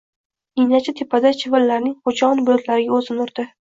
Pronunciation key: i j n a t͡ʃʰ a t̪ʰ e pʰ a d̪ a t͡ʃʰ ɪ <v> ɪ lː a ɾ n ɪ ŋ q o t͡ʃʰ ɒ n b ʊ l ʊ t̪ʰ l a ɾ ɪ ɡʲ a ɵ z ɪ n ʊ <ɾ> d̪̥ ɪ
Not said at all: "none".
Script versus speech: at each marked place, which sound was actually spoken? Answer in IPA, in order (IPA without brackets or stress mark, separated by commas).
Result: v, ɾ